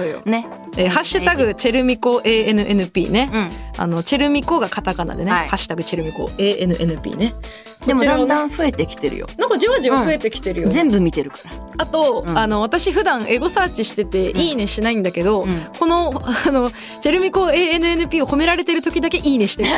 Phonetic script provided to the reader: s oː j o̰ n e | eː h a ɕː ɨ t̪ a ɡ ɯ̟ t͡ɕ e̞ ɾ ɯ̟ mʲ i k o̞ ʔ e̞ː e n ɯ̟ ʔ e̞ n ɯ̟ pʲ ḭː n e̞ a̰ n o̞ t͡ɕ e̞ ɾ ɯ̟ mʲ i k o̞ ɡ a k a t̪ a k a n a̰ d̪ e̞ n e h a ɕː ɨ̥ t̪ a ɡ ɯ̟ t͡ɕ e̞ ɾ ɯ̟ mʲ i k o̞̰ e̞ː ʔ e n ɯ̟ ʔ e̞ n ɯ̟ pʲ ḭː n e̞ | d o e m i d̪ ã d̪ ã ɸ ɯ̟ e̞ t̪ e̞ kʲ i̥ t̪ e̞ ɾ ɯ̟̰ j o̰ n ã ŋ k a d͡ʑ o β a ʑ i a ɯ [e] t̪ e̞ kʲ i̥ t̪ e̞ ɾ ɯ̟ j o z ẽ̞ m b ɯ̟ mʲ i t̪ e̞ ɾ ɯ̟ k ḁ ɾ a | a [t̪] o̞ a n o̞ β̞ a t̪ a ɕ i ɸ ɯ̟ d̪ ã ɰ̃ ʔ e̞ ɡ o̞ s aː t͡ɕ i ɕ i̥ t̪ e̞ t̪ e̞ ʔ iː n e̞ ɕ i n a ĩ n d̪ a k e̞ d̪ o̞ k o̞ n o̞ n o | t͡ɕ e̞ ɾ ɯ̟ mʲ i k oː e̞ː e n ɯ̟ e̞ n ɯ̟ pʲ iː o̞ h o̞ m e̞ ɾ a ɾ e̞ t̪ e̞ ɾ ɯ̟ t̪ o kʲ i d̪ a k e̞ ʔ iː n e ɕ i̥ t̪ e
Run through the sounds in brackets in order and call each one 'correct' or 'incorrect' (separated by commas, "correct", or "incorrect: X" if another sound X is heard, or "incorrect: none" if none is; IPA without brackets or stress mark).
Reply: correct, correct